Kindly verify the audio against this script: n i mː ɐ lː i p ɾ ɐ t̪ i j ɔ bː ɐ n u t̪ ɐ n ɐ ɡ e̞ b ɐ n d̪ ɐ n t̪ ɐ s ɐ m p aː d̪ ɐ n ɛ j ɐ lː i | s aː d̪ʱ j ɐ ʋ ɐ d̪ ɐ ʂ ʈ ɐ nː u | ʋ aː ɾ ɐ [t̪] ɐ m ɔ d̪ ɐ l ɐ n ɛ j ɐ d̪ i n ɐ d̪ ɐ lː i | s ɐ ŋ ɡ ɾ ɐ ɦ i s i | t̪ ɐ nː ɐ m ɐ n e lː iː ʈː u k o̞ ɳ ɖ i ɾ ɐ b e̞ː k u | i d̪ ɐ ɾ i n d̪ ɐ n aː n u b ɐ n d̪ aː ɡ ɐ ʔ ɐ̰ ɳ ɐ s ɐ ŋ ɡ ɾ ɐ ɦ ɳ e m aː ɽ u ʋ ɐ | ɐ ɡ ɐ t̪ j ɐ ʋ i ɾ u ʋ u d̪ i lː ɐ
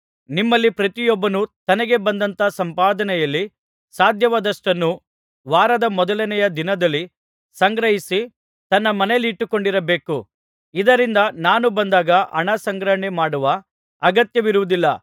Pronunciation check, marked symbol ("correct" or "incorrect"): incorrect